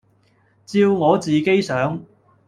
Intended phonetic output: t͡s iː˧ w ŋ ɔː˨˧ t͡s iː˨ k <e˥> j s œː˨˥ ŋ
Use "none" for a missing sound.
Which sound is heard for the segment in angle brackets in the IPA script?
e˥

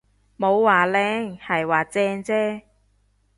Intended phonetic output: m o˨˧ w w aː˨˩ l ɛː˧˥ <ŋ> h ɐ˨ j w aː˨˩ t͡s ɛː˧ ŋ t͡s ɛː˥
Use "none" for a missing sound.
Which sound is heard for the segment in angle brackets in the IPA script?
ŋ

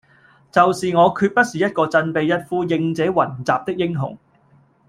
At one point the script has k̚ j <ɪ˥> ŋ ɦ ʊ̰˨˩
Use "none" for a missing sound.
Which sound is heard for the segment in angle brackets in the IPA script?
ɪ˥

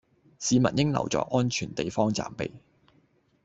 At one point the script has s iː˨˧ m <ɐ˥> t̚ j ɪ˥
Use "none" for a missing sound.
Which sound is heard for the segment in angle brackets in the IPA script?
ɐ˨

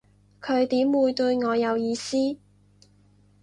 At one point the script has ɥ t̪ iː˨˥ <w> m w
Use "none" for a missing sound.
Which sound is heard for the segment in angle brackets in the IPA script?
none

